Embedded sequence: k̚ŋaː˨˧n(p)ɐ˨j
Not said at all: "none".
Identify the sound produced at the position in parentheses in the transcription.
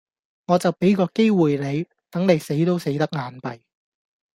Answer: p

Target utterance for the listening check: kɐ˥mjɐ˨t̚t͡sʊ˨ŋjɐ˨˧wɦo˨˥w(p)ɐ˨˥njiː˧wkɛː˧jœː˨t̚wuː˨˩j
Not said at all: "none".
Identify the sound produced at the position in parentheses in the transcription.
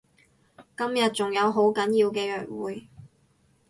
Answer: k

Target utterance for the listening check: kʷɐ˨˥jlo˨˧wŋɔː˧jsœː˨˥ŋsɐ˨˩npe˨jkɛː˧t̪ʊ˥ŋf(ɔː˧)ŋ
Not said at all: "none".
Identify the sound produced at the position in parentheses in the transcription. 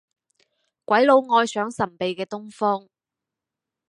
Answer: ɔː˥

